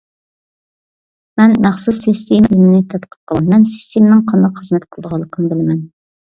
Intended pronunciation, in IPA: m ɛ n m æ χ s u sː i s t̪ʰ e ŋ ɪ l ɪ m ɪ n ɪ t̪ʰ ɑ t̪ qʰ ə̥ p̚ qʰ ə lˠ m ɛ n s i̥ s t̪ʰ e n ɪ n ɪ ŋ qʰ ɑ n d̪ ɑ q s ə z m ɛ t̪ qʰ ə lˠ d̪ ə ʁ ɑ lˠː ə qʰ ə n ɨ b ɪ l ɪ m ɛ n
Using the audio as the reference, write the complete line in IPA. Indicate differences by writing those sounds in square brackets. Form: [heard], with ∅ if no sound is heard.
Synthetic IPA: m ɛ n m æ χ s u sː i s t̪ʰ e [m] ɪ l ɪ m ɪ n ɪ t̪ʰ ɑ t̪ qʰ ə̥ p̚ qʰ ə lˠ m ɛ n s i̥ s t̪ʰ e [m] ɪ n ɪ ŋ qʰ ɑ n d̪ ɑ q [χ] ə z m ɛ t̪ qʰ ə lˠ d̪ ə ʁ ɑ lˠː ə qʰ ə n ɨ b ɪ l ɪ m ɛ n